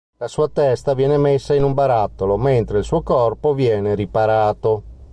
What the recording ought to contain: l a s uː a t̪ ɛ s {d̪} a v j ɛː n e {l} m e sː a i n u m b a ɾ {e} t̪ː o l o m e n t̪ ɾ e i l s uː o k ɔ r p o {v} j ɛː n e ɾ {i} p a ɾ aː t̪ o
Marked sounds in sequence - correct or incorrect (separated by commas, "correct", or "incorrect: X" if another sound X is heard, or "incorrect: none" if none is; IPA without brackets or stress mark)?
incorrect: t̪, incorrect: none, incorrect: a, correct, correct